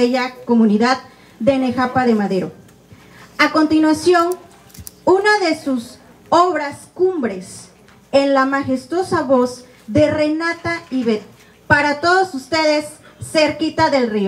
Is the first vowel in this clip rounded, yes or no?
no